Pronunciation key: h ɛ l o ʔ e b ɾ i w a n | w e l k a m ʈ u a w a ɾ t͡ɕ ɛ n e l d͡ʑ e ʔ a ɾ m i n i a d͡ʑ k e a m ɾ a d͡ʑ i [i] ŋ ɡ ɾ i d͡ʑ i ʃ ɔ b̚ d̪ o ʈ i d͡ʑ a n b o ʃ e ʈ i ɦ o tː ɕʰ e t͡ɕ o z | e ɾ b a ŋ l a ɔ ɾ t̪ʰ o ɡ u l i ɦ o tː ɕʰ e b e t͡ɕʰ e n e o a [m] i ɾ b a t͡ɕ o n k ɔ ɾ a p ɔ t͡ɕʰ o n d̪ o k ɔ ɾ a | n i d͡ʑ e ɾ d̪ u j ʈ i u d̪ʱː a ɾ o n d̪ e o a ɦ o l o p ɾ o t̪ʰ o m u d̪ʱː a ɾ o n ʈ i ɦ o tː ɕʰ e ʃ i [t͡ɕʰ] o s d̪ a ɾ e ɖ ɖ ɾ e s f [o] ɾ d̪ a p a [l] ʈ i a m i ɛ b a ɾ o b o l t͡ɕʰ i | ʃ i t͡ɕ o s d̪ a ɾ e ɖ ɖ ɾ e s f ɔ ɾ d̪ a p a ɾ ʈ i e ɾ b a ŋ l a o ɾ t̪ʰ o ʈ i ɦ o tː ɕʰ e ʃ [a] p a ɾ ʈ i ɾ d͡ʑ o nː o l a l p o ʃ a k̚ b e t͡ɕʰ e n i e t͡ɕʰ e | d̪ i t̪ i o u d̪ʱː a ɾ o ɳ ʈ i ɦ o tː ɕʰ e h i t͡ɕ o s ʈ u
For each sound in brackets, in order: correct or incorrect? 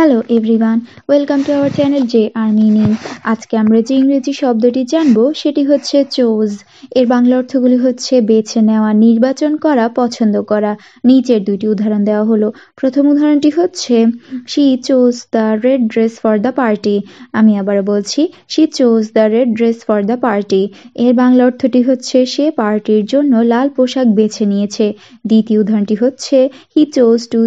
correct, incorrect, incorrect, incorrect, incorrect, incorrect

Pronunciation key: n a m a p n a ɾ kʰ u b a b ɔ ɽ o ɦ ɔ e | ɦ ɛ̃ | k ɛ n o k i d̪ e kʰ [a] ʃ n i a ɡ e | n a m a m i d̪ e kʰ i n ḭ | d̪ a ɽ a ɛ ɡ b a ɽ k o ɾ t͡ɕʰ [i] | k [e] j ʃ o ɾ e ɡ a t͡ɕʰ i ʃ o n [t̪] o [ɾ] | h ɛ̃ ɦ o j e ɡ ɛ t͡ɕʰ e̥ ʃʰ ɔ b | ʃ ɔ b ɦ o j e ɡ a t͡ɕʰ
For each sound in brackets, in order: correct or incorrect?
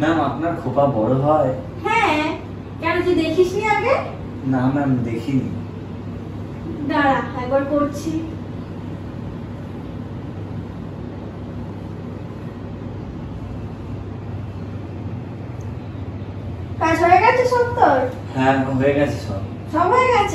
incorrect, correct, incorrect, correct, correct

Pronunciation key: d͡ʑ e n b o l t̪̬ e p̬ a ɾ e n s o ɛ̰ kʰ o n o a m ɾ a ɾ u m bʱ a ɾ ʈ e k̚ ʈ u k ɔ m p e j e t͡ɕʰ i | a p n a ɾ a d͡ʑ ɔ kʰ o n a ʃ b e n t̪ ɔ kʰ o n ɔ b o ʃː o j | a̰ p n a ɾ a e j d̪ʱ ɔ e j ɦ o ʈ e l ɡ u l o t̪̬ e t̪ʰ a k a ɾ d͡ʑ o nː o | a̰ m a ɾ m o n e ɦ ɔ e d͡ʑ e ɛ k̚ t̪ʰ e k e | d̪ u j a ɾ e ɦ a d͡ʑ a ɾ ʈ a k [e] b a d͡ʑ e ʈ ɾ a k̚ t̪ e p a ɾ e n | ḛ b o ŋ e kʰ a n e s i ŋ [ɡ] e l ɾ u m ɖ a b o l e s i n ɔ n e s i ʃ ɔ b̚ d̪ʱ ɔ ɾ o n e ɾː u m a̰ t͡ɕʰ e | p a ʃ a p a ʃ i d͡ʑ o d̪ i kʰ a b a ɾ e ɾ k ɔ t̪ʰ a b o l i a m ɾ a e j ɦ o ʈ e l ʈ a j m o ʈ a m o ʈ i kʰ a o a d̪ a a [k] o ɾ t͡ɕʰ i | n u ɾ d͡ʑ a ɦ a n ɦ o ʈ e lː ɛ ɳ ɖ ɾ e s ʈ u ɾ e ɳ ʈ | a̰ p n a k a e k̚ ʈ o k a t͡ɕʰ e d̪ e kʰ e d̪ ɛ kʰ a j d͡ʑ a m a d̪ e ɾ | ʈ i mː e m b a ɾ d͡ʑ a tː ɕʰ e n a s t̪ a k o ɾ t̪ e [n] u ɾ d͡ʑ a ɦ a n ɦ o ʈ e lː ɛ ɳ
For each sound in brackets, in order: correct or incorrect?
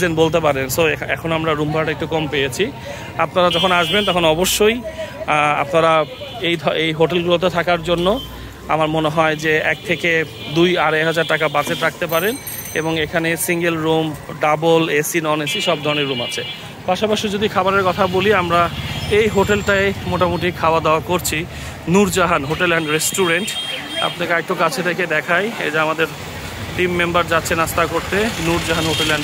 incorrect, correct, correct, correct

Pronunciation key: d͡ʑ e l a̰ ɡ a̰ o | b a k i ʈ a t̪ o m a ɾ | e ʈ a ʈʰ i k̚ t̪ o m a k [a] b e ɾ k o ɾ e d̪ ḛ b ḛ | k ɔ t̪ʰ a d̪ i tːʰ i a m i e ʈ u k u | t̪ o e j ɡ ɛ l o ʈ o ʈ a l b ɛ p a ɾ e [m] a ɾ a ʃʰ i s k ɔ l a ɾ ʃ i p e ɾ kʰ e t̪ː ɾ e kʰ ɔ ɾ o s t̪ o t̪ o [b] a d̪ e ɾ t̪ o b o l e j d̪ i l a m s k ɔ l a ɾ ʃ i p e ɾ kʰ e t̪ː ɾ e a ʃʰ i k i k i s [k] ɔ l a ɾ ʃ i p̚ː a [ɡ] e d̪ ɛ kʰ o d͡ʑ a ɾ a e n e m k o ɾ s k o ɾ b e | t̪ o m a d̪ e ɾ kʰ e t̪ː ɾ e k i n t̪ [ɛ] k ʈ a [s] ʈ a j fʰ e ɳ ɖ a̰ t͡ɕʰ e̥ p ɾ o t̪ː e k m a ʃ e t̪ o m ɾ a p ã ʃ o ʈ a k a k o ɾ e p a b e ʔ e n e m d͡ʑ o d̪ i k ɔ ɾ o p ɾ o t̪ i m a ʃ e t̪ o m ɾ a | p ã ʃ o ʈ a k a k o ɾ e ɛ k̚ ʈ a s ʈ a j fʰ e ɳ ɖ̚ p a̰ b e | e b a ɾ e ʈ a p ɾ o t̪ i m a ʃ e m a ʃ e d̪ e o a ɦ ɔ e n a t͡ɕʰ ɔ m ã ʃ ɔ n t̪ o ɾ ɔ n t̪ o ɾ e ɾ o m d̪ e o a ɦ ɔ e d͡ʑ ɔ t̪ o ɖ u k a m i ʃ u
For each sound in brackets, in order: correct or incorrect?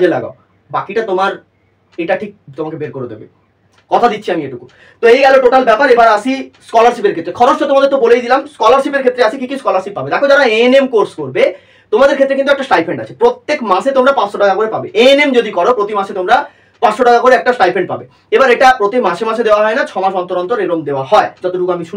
incorrect, incorrect, incorrect, correct, incorrect, correct, correct

